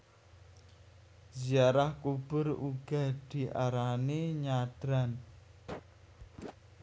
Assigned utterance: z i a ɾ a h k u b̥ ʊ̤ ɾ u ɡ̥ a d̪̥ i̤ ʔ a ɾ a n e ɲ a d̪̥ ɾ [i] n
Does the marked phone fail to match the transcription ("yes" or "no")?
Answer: yes